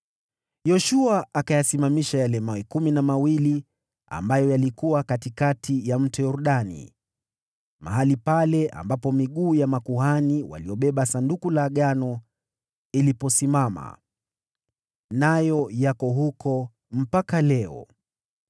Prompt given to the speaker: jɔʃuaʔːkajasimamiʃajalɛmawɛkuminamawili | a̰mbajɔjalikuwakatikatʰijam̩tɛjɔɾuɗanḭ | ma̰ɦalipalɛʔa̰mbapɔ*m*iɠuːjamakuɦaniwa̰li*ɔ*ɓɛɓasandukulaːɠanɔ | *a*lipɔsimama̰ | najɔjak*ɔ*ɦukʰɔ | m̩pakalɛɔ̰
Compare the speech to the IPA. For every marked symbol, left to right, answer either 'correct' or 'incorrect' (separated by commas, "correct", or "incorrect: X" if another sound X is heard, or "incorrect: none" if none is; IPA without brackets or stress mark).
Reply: correct, correct, incorrect: i, correct